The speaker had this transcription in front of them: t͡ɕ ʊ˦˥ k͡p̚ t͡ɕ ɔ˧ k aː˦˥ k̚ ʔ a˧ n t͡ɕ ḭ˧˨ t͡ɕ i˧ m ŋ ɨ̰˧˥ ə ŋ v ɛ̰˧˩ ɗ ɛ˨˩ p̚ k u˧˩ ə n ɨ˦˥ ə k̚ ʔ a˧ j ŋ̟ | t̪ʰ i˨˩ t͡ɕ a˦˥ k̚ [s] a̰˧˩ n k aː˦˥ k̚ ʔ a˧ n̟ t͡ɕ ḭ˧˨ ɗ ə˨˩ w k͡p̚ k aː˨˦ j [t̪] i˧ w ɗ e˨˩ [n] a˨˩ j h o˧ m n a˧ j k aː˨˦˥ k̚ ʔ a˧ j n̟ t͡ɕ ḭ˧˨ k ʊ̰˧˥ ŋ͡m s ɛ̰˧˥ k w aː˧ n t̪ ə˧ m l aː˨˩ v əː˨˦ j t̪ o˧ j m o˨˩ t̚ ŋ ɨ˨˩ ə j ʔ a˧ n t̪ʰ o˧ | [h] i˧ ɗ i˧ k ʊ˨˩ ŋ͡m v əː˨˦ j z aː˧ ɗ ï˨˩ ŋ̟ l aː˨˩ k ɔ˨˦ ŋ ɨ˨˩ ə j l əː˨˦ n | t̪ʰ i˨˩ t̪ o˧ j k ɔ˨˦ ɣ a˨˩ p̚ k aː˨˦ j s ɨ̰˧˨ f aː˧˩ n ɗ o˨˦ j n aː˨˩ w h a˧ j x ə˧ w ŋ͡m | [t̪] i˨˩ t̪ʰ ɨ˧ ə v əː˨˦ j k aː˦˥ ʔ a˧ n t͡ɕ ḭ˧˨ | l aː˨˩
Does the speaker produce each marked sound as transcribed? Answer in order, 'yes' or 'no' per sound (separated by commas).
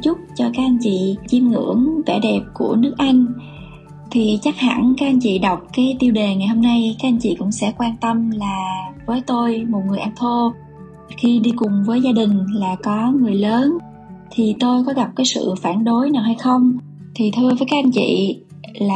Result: no, yes, no, no, no